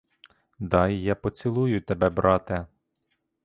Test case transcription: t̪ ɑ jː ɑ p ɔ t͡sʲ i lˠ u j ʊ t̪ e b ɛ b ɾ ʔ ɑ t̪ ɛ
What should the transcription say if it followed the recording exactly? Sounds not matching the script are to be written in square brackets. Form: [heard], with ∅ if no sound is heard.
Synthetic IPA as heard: [d̪] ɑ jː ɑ p ɔ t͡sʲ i lˠ u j ʊ t̪ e b ɛ b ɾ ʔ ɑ t̪ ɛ